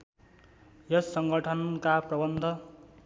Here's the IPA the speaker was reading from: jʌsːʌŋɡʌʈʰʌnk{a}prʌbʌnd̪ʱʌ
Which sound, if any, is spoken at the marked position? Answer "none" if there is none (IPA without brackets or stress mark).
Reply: a